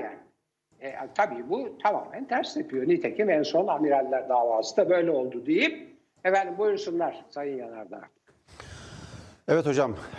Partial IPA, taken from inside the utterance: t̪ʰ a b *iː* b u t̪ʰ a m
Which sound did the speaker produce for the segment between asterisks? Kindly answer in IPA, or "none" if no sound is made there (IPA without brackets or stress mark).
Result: iː